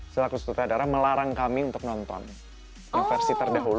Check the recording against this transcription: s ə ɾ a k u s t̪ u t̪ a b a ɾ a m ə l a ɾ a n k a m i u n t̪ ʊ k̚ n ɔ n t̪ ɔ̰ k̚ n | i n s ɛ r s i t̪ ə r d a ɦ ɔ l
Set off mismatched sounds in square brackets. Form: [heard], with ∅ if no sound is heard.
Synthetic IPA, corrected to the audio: s ə [l] a k u s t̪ u t̪ a [d] a ɾ a m ə l a ɾ a [ŋ] k a m i u n t̪ ʊ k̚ n ɔ n t̪ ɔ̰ [∅] n | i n [f] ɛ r s i t̪ ə r d a ɦ [u] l